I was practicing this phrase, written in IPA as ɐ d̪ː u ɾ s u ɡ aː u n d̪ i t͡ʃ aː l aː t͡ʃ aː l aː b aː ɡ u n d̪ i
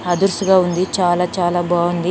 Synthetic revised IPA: ɐ d̪ u ɾ s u ɡ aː u n d̪ i t͡ʃ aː l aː t͡ʃ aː l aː b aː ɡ u n d̪ i

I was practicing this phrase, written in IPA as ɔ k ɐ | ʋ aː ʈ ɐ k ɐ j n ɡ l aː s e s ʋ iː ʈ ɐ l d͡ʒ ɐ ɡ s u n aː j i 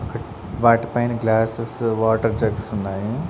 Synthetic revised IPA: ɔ k ɐ | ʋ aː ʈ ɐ p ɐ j n ɡ l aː s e s ʋ aː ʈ ɐ ɾ d͡ʒ ɐ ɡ s u nː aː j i

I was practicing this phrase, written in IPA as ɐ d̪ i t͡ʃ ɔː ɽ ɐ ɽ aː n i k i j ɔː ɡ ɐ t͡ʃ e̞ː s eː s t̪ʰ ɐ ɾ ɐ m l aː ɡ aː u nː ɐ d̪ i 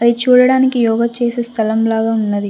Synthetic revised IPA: ɐ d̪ i t͡ʃ uː ɽ ɐ ɽ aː n i k i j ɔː ɡ ɐ t͡ʃ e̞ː s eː s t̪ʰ ɐ l ɐ m l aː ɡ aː u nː ɐ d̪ i

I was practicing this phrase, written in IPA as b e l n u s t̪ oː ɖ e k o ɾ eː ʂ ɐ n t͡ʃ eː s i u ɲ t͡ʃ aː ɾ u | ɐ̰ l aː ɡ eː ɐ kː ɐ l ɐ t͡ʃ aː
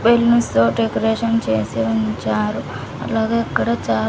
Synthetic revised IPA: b e l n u s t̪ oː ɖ e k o ɾ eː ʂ ɐ n t͡ʃ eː s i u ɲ t͡ʃ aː ɾ u | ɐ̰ l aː ɡ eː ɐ kː ɐ ɽ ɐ t͡ʃ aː

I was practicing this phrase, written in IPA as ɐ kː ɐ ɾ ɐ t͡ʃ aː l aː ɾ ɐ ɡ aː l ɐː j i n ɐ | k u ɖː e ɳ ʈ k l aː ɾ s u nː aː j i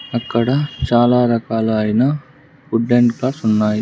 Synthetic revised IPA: ɐ kː ɐ ɽ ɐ t͡ʃ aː l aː ɾ ɐ k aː l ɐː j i n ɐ | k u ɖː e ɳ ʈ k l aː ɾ s u nː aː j i

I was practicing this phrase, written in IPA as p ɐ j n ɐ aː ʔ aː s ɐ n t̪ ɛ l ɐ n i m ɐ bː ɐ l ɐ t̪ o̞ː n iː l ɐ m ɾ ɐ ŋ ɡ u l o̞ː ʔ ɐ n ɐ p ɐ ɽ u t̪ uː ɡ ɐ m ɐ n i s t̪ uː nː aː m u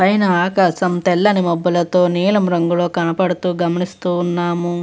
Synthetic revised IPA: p ɐ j n ɐ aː k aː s ɐ m t̪ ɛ lː ɐ n i m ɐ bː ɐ l ɐ t̪ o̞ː n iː l ɐ m ɾ ɐ ŋ ɡ u l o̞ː k ɐ n ɐ p ɐ ɽ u t̪ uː ɡ ɐ m ɐ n i s t̪ uː nː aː m u

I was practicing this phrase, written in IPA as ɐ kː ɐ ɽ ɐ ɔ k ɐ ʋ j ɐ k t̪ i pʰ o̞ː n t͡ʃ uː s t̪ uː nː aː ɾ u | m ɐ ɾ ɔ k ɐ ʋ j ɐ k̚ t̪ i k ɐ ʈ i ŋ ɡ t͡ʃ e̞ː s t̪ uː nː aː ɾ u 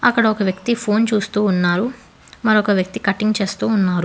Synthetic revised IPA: ɐ kː ɐ ɽ ɐ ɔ k ɐ ʋ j ɐ k t̪ i pʰ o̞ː n t͡ʃ uː s t̪ uː nː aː ɾ u | m ɐ ɾ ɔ k ɐ ʋ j ɐ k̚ t̪ i k ɐ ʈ i ŋ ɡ t͡ʃ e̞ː s t̪ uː nː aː ɾ u

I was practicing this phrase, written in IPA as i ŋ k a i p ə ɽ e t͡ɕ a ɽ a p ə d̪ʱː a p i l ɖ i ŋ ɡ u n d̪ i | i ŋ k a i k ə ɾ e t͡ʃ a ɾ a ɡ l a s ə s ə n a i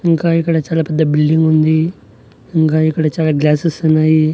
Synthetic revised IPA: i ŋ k a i k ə ɽ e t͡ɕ a l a p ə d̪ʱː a b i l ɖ i ŋ ɡ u n d̪ i | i ŋ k a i k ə ɽ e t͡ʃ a l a ɡ l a s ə s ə n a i

